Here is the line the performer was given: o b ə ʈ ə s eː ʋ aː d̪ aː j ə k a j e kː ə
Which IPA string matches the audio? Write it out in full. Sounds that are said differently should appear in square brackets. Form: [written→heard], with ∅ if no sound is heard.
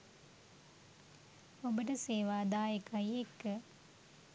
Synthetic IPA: o b ə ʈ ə s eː ʋ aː d̪ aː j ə k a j e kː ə